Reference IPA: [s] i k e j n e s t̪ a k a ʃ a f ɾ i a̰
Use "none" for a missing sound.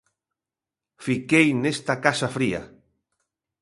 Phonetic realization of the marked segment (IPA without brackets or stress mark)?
f